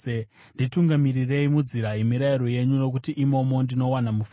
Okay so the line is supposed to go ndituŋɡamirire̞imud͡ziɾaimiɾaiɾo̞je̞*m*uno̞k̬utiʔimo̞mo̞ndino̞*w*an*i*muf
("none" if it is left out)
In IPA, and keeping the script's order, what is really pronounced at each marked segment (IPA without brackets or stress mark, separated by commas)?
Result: ɲ, w, a